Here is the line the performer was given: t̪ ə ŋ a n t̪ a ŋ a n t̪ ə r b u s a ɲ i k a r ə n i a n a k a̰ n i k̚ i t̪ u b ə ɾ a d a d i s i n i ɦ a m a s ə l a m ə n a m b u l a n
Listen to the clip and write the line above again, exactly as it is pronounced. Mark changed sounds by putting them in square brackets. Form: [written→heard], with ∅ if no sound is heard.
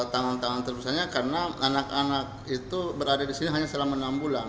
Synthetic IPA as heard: t̪ [ə→a] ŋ a n t̪ a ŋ a n t̪ ə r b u s a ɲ [i→a] k a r ə n [i→a] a n a k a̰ n [i→a] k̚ i t̪ u b ə ɾ a d a d i s i n i ɦ a [m→ɲ] a s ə l a m ə n a m b u l a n